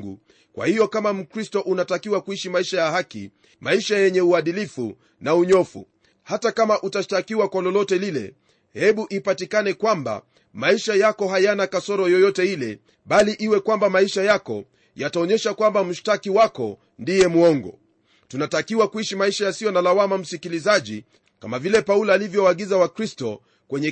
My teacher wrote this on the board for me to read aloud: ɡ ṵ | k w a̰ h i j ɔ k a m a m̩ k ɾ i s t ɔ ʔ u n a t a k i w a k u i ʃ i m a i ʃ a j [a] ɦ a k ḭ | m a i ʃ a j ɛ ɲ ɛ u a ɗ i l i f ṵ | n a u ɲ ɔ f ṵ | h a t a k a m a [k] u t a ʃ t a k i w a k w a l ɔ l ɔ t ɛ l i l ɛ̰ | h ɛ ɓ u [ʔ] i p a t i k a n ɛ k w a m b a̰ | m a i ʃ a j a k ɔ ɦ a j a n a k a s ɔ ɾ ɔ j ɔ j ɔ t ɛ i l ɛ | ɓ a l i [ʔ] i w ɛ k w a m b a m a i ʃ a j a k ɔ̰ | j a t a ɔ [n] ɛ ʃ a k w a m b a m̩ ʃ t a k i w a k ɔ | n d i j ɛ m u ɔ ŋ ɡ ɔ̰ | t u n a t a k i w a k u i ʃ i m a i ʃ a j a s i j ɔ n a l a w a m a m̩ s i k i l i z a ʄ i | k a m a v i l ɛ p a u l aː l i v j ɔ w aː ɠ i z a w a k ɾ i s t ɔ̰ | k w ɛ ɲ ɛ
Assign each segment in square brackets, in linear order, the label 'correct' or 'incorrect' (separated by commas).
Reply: correct, incorrect, correct, correct, incorrect